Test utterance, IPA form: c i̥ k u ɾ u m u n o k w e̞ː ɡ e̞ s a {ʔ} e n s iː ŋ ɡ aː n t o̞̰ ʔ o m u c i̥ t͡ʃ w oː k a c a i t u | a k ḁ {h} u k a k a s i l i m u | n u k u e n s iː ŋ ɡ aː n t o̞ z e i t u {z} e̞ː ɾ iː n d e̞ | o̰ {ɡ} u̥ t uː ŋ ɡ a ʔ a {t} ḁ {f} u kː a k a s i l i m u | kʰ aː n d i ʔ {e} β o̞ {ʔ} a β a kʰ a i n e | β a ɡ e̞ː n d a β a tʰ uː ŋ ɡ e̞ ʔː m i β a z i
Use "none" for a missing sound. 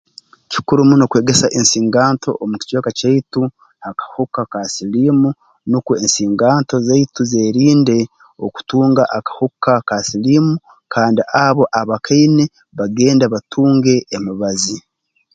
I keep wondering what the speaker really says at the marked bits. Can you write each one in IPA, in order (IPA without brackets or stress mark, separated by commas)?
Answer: ʔ, h, z, k, k, h, a, ʔ